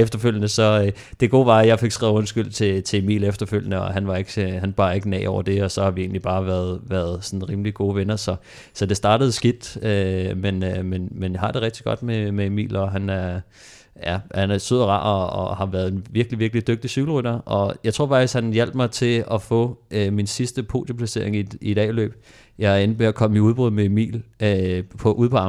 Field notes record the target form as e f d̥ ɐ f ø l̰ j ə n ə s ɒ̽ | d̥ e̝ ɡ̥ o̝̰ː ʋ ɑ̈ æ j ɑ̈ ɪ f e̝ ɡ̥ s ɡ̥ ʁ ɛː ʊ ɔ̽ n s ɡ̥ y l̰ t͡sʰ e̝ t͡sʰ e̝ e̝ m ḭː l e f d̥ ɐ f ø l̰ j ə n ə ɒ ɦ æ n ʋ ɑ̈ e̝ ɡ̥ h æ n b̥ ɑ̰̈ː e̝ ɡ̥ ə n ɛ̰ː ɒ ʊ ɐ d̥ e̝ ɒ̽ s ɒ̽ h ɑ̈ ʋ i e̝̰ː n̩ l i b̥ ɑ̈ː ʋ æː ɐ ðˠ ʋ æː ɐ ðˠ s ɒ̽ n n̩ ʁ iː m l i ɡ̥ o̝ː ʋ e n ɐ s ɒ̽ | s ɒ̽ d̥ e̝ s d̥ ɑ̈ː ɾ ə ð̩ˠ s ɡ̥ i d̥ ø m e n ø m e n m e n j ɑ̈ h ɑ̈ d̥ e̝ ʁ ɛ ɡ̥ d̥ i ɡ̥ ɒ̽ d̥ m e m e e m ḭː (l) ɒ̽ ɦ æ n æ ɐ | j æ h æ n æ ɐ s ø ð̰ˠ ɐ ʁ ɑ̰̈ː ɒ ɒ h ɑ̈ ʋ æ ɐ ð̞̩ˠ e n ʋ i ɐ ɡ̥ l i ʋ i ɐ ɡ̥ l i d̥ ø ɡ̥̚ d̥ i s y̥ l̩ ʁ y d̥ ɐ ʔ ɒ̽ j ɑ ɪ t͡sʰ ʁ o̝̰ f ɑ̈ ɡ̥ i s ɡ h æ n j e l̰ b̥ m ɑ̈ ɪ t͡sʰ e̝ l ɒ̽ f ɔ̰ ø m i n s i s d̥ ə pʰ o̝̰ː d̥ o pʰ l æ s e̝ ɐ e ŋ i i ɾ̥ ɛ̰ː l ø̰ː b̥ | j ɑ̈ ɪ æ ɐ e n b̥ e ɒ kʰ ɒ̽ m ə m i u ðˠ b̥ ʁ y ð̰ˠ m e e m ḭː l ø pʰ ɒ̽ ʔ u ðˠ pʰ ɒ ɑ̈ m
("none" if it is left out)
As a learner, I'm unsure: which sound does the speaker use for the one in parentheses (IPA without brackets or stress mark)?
l